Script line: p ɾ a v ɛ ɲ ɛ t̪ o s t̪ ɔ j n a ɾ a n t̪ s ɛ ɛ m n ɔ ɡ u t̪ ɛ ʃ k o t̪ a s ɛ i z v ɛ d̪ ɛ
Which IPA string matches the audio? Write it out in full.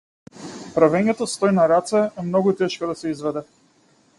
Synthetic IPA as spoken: p ɾ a v ɛ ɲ ɛ t̪ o s t̪ ɔ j n a ɾ a t̪ s ɛ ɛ m n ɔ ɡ u t̪ ɛ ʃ k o d̪ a s ɛ i z v ɛ d̪ ɛ